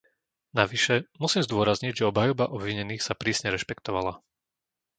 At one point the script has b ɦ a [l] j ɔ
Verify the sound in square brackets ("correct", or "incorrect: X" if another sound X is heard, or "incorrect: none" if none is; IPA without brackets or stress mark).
incorrect: none